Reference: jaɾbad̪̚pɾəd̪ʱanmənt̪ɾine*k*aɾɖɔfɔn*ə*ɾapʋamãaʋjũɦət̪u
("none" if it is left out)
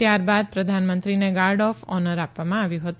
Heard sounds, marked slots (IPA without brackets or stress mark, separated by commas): ɡ, ə